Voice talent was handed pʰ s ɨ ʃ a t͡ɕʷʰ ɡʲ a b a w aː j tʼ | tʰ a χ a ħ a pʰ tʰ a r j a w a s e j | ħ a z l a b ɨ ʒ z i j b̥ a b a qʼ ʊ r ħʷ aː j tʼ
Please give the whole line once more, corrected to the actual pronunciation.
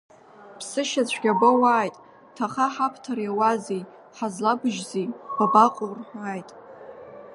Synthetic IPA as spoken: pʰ s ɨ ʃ a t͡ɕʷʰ ɡʲ a b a w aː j tʼ | tʰ a χ a ħ a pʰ tʰ a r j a w a z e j | ħ a z l a b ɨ ʒ z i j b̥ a b a qʼ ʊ r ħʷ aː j tʼ